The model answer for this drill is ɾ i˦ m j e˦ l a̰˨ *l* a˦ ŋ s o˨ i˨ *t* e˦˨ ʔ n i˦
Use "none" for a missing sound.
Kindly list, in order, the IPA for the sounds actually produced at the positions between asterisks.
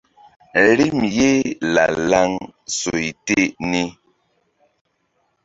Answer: l, t

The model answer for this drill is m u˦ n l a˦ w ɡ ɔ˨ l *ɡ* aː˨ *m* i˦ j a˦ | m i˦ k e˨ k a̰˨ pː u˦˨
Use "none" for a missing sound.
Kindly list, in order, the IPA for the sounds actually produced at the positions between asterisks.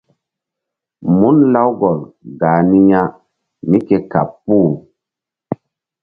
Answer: ɡ, n

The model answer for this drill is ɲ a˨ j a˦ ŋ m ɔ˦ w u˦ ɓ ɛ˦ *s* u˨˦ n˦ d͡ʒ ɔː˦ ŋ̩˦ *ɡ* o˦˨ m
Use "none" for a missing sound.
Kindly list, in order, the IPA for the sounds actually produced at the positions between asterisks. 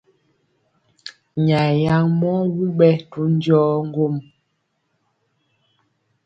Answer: t, ɡ

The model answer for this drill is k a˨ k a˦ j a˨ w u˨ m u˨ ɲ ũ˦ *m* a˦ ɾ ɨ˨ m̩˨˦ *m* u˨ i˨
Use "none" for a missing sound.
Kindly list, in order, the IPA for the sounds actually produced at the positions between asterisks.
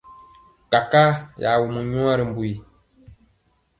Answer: none, b

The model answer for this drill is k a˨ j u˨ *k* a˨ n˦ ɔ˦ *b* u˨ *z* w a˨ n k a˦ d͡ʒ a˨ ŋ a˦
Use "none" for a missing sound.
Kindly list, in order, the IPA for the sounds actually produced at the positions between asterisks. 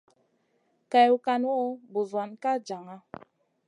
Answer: k, b, z

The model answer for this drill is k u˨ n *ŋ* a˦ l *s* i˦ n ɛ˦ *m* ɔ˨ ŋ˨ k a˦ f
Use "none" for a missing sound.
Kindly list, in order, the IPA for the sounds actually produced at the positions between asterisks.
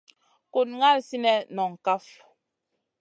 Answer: ŋ, s, n

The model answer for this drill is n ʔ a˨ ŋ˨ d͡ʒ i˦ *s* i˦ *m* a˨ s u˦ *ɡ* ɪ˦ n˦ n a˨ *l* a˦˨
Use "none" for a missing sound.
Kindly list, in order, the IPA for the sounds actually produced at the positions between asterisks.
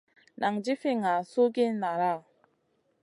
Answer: f, ŋ, ɡ, ɾ

